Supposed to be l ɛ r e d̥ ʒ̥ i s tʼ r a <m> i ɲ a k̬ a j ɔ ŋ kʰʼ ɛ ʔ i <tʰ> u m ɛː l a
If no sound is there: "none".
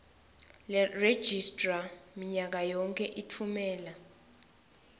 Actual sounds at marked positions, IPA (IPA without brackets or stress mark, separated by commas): m, tʰ